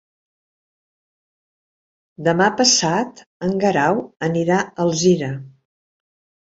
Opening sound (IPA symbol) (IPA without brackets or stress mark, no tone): d̪